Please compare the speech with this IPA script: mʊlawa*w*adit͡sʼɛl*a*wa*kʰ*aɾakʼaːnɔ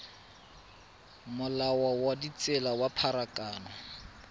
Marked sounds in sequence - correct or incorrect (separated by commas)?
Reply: correct, correct, incorrect